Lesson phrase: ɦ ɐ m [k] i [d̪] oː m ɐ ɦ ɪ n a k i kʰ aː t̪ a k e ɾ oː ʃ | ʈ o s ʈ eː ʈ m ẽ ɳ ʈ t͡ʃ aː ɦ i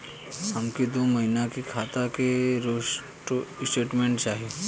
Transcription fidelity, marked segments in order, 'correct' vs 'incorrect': correct, correct

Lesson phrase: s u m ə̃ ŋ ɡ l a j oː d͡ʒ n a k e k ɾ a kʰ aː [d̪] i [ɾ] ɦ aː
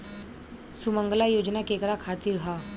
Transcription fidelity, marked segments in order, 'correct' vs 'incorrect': incorrect: t̪, correct

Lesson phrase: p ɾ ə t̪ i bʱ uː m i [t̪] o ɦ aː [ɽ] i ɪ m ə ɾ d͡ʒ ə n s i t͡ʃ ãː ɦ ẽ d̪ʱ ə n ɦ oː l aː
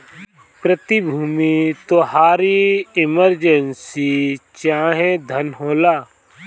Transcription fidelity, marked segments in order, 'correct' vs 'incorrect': correct, incorrect: ɾ

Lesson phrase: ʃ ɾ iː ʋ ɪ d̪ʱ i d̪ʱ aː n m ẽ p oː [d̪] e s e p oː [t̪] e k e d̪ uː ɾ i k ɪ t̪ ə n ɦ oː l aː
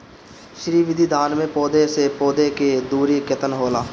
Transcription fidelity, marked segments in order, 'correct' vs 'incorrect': correct, incorrect: d̪

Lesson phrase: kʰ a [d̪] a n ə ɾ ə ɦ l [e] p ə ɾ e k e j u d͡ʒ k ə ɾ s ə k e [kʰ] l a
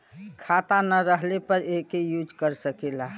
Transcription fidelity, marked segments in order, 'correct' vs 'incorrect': incorrect: t̪, correct, incorrect: none

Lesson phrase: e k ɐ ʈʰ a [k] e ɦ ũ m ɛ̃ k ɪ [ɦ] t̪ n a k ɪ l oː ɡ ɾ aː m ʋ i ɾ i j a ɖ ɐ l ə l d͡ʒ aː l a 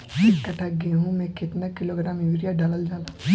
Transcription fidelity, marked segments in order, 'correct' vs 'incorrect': incorrect: ɡ, incorrect: none

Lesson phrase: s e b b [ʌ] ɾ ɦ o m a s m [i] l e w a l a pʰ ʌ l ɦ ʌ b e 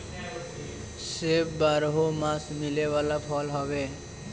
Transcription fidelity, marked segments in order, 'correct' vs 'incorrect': incorrect: a, correct

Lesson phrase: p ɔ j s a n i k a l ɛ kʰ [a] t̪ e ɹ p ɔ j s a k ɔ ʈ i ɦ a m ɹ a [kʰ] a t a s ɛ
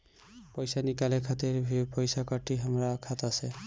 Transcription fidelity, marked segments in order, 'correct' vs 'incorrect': correct, correct

